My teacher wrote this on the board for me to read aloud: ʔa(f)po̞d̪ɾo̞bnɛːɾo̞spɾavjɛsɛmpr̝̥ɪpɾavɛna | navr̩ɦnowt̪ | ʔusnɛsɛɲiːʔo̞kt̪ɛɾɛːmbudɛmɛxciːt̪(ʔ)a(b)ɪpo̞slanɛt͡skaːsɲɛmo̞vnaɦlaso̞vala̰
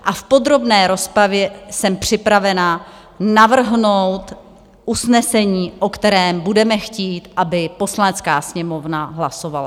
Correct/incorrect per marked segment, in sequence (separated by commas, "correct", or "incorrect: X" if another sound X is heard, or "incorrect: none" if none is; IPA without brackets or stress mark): correct, correct, correct